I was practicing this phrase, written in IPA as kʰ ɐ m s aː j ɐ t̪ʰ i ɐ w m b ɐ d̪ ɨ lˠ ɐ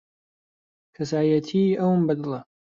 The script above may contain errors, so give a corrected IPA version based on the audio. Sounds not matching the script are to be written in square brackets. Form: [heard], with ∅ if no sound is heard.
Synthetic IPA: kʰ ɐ [∅] s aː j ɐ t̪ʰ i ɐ w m b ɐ d̪ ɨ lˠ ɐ